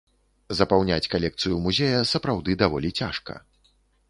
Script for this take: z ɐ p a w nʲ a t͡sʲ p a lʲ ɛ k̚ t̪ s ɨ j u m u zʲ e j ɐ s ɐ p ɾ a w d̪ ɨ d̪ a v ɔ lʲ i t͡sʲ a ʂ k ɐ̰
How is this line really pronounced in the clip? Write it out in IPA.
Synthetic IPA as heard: z ɐ p a w nʲ a t͡sʲ k a lʲ ɛ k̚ t̪ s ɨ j u m u zʲ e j ɐ s ɐ p ɾ a w d̪ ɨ d̪ a v ɔ lʲ i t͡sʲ a ʂ k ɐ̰